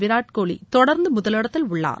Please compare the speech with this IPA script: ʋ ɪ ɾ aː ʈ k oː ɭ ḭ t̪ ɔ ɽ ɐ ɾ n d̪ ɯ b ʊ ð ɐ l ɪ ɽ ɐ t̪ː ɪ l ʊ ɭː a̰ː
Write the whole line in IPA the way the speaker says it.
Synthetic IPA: ʋ ɪ ɾ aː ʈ k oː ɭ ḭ t̪ ɔ ɽ ɐ ɾ n d̪ ɯ m ʊ ð ɐ l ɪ ɽ ɐ t̪ː ɪ l ʊ ɭː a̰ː

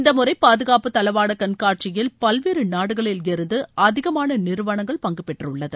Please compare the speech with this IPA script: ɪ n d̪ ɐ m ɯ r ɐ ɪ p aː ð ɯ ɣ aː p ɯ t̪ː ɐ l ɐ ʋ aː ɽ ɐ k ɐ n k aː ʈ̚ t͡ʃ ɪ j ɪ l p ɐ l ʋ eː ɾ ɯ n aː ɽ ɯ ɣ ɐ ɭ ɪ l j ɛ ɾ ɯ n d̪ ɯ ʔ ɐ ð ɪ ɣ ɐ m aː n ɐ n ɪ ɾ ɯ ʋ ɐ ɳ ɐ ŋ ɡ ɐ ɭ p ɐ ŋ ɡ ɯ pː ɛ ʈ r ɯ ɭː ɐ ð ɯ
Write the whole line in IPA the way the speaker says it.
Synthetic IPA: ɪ n d̪ ɐ m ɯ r ɐ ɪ p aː ð ɯ ɣ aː p ɯ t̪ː ɐ l ɐ ʋ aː ɽ ɐ k ɐ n k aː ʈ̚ t͡ʃ ɪ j ɪ l p ɐ l ʋ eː ɾ ɯ n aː ɽ ɯ ɣ ɐ ɭ ɪ l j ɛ ɾ ɯ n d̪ ɯ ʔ ɐ ð ɪ ɣ ɐ m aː n ɐ n ɪ ɾ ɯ ʋ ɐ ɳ ɐ ŋ ɡ ɐ ɭ p ɐ ŋ ɡ ɯ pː ɛ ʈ r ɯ ɭː ɐ ð ɯ

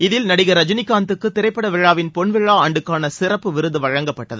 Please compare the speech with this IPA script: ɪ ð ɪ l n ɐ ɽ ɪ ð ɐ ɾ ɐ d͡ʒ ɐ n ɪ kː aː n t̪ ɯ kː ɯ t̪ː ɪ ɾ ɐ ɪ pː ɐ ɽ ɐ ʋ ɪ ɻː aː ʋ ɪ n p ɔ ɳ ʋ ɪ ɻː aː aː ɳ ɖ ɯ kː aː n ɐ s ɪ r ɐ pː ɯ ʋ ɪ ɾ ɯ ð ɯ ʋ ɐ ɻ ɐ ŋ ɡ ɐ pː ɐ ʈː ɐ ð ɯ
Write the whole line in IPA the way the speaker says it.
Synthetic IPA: ɪ ð ɪ l n ɐ ɽ ɪ ɣ ɐ ɾ ɐ d͡ʒ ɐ n ɪ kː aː n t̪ ɯ kː ɯ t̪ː ɪ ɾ ɐ ɪ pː ɐ ɽ ɐ ʋ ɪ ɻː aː ʋ ɪ n p ɔ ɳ ʋ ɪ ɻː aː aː ɳ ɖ ɯ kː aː n ɐ s ɪ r ɐ pː ɯ ʋ ɪ ɾ ɯ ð ɯ ʋ ɐ ɻ ɐ ŋ ɡ ɐ pː ɐ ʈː ɐ ð ɯ

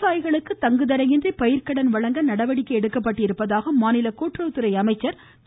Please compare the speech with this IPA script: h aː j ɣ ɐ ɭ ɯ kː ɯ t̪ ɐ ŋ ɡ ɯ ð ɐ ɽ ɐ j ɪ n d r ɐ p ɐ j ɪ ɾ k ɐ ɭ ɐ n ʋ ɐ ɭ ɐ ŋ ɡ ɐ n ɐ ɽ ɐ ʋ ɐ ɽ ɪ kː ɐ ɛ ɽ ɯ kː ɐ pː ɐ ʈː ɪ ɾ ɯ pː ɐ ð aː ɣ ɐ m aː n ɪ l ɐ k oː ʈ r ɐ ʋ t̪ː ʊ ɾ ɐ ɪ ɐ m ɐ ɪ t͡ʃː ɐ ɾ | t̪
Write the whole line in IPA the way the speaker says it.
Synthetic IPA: s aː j ɣ ɐ ɭ ɯ kː ɯ t̪ ɐ ŋ ɡ ɯ ð ɐ ɾ ɐ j ɪ n d r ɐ p ɐ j ɪ ɾ k ɐ ɽ ɐ n ʋ ɐ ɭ ɐ ŋ ɡ ɐ n ɐ ɽ ɐ ʋ ɐ ɽ ɪ kː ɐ ɛ ɽ ɯ kː ɐ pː ɐ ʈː ɪ ɾ ɯ pː ɐ ð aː ɣ ɐ m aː n ɪ l ɐ k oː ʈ r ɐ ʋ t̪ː ɯ ɾ ɐ ɪ ɐ m ɐ ɪ t͡ʃː ɐ ɾ | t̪

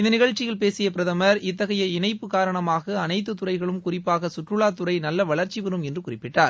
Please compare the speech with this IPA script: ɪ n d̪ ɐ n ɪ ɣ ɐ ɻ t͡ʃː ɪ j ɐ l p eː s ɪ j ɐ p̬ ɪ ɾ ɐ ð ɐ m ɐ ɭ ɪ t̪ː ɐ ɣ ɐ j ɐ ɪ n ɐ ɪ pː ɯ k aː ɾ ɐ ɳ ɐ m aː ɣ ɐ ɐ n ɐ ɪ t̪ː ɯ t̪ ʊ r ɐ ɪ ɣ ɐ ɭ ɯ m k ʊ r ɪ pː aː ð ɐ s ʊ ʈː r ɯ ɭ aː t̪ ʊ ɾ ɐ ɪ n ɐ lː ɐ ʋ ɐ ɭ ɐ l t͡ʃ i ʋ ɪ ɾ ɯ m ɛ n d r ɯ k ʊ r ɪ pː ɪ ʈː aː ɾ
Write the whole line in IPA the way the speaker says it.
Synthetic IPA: ɪ n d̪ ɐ n ɪ ɣ ɐ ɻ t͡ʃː ɪ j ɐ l p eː s ɪ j ɐ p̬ ɪ ɾ ɐ ð ɐ m ɐ ɾ ɪ t̪ː ɐ ɣ ɐ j ɐ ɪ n ɐ ɪ pː ɯ k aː ɾ ɐ ɳ ɐ m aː ɣ ɐ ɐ n ɐ ɪ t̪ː ɯ t̪ ʊ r ɐ ɪ ɣ ɐ ɭ ɯ m k ʊ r ɪ pː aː ɣ ɐ s ʊ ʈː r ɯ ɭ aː t̪ ʊ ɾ ɐ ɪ n ɐ lː ɐ ʋ ɐ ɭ ɐ ɾ t͡ʃ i ʋ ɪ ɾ ɯ m ɛ n d r ɯ k ʊ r ɪ pː ɪ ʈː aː ɾ

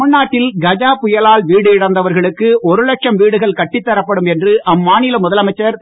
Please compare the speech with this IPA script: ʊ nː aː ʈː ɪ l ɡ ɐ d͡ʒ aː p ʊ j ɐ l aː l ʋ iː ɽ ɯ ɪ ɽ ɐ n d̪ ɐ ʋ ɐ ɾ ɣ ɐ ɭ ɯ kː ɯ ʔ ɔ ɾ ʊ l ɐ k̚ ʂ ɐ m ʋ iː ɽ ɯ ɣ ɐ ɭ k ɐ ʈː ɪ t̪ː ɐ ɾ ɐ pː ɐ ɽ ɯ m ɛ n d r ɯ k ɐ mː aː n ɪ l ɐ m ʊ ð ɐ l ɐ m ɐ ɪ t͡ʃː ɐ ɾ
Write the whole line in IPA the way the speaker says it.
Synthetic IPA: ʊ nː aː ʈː ɪ l ɡ ɐ d͡ʒ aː p ʊ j ɐ l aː l ʋ iː ɽ ɯ ɪ ɽ ɐ n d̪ ɐ ʋ ɐ ɾ ɣ ɐ ɭ ɯ kː ɯ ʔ ɔ ɾ ɯ l ɐ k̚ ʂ ɐ m ʋ iː ɽ ɯ ɣ ɐ ɭ k ɐ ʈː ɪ t̪ː ɐ ɾ ɐ pː ɐ ɽ ɯ m ɛ n d r ɯ ʔ ɐ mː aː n ɪ l ɐ m ʊ ð ɐ l ɐ m ɐ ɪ t͡ʃː ɐ ɾ

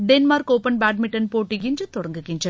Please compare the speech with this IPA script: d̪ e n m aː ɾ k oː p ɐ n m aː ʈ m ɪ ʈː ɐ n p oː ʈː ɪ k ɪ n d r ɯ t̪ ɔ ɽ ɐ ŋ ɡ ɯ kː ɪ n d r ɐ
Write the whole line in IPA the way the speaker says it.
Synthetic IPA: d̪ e n m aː ɾ k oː p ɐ n b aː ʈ m ɪ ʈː ɐ n p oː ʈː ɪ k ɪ n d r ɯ t̪ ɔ ɽ ɐ ŋ ɡ ɯ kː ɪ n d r ɐ

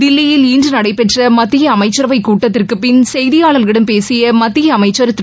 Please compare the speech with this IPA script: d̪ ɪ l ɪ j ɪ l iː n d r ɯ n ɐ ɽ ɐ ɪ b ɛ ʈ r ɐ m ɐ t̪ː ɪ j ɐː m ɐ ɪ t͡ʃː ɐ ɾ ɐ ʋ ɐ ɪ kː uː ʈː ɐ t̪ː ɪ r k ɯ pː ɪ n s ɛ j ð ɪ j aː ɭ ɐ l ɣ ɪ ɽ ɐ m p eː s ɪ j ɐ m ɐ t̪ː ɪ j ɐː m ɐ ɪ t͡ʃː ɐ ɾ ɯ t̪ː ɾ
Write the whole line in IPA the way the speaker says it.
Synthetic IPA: d̪ ɪ lː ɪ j ɪ l iː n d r ɯ n ɐ ɽ ɐ ɪ p ɛ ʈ r ɐ m ɐ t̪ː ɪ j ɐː m ɐ ɪ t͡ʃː ɐ ɾ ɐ ʋ ɐ ɪ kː uː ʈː ɐ t̪ː ɪ r k ɯ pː ɪ n s ɛ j ð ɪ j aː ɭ ɐ l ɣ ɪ ɽ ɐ m p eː s ɪ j ɐ m ɐ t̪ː ɪ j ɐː m ɐ ɪ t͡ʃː ɐ ɾ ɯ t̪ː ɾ

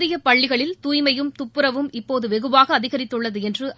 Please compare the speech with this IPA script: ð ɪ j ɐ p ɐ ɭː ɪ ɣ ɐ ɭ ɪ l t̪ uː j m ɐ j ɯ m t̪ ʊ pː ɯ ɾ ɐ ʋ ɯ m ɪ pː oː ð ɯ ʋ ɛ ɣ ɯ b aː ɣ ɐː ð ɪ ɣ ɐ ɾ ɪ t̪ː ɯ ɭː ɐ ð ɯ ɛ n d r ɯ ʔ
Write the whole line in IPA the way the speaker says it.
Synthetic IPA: ð ɪ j ɐ p ɐ ɭː ɪ ɣ ɐ ɭ ɪ l t̪ uː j m ɐ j ɯ m t̪ ʊ pː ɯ ɾ ɐ ʋ ɯ m ɪ pː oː ð ɯ ʋ ɛ ɣ ɯ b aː ɣ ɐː ð ɪ ɣ ɐ ɾ ɪ t̪ː ɯ ɭː ɐ ð ɯ ɛ n d r ɯ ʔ

